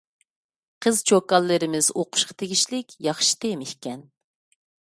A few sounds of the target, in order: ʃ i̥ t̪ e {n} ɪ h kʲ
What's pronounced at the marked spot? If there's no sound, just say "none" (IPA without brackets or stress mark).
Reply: m